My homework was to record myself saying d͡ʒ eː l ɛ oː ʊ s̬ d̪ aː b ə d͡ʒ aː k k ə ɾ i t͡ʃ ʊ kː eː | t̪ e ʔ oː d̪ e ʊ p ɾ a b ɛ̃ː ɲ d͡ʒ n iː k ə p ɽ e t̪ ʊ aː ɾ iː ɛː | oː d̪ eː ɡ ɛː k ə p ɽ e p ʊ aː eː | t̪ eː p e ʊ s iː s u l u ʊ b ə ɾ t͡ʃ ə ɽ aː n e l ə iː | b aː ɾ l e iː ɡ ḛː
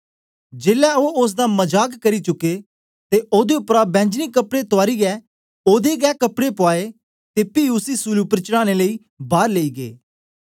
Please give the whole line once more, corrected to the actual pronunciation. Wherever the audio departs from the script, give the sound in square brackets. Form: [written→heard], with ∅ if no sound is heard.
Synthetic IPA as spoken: d͡ʒ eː l ɛ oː ʊ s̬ d̪ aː [b→m] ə d͡ʒ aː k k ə ɾ i t͡ʃ ʊ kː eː | t̪ e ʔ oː d̪ e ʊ p ɾ a b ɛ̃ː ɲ d͡ʒ n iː k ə p ɽ e t̪ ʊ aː ɾ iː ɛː | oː d̪ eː ɡ ɛː k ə p ɽ e p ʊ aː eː | t̪ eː p [e→i] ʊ s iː s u l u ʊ [b→p] ə ɾ t͡ʃ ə ɽ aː n e l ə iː | b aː ɾ l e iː ɡ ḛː